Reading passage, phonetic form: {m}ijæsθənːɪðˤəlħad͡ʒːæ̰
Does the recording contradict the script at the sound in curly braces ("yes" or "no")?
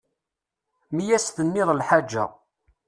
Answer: no